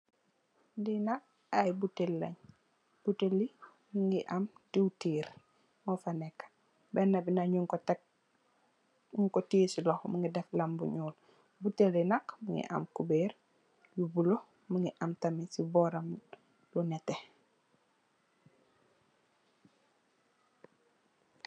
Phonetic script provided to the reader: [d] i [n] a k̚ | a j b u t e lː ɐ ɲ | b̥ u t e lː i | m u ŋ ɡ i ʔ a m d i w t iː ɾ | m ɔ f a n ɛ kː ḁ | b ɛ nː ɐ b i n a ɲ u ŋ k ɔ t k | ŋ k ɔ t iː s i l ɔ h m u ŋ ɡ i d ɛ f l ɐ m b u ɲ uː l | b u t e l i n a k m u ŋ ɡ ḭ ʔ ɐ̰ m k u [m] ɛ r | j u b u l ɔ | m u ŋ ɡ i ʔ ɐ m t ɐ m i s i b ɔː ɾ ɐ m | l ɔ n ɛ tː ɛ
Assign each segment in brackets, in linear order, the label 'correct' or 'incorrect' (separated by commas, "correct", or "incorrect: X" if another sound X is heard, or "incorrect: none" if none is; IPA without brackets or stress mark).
correct, correct, incorrect: b